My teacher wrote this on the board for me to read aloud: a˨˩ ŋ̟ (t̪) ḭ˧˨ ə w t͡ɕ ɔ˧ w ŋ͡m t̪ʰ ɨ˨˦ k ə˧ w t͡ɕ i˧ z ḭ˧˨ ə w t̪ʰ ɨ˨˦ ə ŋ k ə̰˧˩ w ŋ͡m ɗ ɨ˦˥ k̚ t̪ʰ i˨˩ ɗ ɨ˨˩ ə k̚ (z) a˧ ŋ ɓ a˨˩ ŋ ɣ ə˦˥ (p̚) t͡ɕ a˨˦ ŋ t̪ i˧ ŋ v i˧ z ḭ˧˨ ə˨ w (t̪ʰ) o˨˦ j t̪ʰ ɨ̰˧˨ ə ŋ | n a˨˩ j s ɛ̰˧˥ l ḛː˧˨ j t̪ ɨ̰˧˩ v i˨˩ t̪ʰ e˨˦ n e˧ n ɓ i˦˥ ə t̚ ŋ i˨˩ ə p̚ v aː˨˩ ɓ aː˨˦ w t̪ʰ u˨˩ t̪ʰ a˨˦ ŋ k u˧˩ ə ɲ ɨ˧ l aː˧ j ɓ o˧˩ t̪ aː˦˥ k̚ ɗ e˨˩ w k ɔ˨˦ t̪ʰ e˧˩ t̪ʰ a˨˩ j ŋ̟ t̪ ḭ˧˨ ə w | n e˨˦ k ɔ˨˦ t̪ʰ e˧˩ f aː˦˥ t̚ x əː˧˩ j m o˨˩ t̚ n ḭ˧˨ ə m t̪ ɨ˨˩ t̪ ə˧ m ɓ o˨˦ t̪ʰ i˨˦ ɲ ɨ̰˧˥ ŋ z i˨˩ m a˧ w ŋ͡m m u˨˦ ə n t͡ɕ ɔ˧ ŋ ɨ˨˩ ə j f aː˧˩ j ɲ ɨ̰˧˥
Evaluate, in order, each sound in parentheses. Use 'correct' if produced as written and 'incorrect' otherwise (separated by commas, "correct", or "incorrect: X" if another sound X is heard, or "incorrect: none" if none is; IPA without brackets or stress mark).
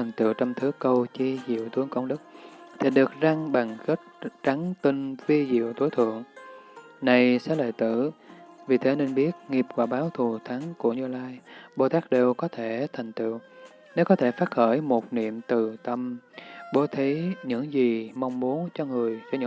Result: correct, correct, incorrect: t̚, incorrect: t̪